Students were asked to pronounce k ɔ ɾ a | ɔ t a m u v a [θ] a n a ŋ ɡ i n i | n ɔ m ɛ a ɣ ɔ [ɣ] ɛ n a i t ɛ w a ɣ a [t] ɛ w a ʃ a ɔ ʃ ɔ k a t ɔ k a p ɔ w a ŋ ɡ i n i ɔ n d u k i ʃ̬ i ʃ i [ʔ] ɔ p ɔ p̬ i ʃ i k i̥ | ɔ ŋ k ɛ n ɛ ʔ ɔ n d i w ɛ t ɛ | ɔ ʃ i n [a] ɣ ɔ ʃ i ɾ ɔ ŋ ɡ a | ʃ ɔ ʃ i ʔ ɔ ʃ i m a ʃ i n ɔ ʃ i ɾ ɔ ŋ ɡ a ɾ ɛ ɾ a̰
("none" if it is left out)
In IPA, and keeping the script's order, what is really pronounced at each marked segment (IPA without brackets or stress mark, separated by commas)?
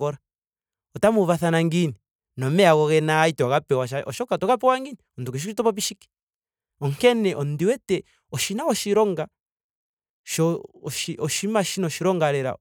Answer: θ, ɣ, p, t, a